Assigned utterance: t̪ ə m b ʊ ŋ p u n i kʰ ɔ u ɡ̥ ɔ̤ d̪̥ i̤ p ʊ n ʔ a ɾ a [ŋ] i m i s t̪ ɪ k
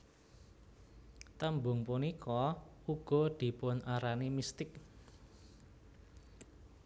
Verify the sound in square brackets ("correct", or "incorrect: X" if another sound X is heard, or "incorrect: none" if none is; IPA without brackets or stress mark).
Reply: incorrect: n